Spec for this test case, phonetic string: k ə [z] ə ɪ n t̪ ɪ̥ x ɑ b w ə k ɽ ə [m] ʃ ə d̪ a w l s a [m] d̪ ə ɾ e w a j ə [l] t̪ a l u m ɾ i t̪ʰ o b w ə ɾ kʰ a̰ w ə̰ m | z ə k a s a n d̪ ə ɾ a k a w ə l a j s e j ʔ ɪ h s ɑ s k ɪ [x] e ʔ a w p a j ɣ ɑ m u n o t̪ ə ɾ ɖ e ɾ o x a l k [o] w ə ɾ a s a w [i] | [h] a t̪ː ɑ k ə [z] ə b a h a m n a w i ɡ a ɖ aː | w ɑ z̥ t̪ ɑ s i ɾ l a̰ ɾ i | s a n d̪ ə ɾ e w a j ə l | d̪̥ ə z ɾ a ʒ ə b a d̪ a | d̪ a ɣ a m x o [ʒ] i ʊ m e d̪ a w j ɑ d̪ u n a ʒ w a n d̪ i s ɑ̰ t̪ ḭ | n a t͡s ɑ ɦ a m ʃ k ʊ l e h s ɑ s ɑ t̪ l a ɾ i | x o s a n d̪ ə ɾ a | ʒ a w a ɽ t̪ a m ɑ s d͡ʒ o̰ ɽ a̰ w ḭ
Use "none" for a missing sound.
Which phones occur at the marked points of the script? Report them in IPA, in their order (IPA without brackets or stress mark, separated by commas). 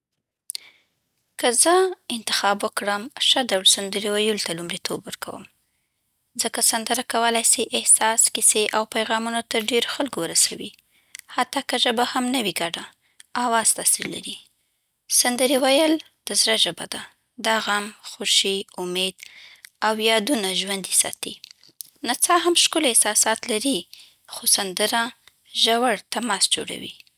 z, m, n, l, s, o, i, h, ʒ, ʃ